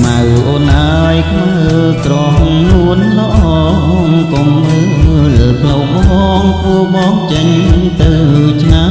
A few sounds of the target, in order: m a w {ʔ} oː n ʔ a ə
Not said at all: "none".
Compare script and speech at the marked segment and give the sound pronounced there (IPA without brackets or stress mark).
ʔ